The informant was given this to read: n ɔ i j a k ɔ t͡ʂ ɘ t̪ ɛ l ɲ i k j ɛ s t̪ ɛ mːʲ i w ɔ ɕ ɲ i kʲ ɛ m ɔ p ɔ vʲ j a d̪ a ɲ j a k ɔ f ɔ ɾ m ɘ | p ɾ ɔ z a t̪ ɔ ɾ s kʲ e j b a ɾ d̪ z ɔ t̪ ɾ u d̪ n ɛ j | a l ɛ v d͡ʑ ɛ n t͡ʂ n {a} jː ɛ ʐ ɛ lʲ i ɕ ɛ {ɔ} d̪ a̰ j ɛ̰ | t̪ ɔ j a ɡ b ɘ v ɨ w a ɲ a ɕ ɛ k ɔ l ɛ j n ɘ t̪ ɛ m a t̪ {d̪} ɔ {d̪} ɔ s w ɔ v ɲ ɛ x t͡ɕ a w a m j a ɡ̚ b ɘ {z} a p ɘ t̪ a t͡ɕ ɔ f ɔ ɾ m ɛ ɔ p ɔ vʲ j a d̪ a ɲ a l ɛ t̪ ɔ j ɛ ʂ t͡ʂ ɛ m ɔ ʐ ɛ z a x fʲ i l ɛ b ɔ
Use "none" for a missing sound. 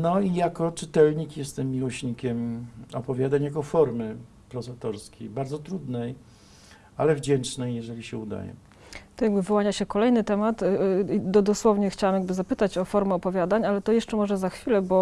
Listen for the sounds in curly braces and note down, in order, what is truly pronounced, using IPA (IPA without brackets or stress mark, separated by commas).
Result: ɛ, u, d̪, d̪, z